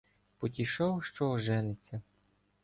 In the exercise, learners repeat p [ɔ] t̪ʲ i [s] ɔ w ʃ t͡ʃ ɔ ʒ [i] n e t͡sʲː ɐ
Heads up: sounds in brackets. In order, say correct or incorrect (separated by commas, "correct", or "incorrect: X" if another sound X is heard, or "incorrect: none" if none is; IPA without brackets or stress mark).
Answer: correct, incorrect: ʃ, incorrect: ɛ